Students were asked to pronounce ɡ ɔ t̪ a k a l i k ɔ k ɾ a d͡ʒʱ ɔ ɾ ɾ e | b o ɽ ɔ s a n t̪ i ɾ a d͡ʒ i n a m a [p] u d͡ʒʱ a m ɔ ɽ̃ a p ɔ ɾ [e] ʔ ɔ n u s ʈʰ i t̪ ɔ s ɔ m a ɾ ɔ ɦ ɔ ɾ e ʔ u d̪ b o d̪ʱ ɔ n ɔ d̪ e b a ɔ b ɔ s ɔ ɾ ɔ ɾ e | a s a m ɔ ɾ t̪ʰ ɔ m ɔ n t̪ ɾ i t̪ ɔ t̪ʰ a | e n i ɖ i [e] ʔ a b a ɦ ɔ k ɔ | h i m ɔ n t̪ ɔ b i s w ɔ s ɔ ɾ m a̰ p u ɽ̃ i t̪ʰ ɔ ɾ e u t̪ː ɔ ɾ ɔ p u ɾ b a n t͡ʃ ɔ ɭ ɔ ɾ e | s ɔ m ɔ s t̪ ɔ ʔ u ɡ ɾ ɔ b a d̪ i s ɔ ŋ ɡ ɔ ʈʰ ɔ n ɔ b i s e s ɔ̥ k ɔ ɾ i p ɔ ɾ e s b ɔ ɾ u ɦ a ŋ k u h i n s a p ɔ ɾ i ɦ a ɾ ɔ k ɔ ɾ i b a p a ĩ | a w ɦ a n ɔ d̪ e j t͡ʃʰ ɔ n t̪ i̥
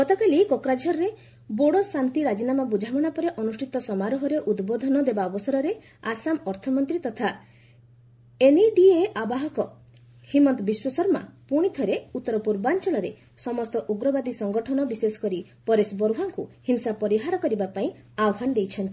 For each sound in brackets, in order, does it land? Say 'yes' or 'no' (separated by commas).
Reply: no, yes, yes